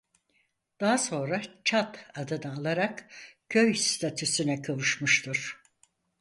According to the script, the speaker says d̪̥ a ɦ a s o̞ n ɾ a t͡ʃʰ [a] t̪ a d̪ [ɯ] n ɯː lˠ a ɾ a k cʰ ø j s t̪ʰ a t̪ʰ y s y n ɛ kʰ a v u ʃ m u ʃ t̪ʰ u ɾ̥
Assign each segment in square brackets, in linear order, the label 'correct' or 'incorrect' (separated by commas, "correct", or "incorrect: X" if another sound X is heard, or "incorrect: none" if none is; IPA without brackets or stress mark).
correct, correct